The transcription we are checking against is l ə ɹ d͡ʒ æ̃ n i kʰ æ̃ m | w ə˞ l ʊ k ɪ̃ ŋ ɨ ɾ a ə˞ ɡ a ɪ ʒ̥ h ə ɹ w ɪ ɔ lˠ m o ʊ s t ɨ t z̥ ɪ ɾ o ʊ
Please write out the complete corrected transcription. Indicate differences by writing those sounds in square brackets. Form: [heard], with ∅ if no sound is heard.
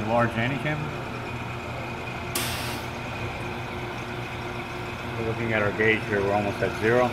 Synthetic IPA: l [ɑ] ɹ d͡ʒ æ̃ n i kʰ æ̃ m | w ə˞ l ʊ k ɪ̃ ŋ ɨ ɾ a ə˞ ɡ [e] ɪ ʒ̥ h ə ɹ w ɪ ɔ lˠ m o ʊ s t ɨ t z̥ ɪ [ɹ] o ʊ